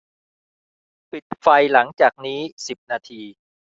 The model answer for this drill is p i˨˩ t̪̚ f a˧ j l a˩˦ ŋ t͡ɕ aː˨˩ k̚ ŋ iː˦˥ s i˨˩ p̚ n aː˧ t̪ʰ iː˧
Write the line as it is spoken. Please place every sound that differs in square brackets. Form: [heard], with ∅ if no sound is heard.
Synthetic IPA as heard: p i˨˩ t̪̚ f a˧ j l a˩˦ ŋ t͡ɕ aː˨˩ k̚ [n] iː˦˥ s i˨˩ p̚ n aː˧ t̪ʰ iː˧